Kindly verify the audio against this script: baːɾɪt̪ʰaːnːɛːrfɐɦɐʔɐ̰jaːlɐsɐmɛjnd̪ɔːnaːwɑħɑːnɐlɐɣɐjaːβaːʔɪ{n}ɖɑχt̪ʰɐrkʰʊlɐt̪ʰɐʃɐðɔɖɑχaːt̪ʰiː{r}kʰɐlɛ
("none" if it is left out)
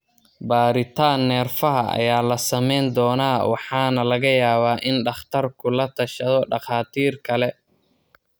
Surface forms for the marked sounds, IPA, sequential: n, r

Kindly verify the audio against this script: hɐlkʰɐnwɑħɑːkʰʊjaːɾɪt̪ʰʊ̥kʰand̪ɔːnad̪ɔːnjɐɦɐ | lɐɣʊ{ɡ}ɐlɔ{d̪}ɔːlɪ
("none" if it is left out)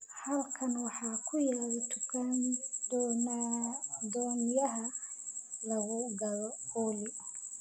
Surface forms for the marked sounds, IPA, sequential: ɡ, none

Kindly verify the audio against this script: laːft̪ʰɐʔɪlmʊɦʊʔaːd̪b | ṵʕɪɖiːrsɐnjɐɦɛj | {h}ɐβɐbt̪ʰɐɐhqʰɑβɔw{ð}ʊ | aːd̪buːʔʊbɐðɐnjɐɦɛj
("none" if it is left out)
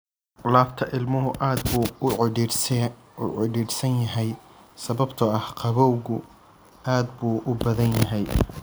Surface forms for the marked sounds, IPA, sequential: s, ɣ

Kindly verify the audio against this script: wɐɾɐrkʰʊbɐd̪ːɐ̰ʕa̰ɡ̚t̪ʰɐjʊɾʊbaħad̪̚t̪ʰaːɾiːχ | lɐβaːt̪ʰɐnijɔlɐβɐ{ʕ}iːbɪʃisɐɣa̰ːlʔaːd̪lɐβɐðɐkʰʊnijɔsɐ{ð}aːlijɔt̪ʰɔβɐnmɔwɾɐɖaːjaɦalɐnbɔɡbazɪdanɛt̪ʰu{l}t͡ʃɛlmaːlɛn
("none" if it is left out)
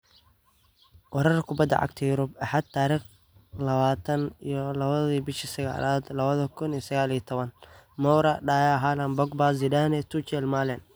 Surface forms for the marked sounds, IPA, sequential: ð, ɣ, none

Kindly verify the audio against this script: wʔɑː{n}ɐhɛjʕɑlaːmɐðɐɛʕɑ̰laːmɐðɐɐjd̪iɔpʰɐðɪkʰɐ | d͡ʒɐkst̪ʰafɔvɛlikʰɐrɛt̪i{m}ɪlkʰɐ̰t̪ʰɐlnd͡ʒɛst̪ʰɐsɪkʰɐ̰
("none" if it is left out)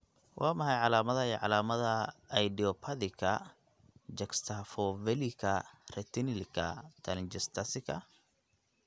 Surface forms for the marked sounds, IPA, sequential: m, n

